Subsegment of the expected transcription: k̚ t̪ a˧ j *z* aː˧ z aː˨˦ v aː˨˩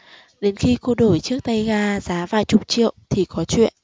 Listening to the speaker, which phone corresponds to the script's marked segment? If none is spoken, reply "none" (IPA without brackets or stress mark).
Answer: ɣ